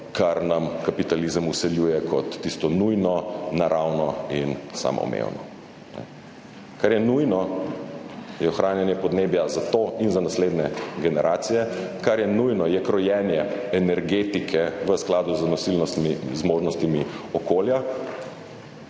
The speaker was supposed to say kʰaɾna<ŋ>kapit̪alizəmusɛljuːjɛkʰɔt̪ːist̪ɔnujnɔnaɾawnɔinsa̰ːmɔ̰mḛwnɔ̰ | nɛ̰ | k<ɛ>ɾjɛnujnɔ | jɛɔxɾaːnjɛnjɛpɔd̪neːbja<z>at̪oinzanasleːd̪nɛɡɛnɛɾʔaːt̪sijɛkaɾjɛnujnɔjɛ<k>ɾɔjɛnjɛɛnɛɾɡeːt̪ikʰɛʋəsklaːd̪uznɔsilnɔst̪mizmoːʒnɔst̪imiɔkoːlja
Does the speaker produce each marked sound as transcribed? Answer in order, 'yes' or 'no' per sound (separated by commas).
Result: no, no, yes, yes